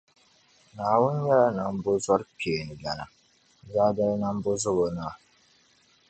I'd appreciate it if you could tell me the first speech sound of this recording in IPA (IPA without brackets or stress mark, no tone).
n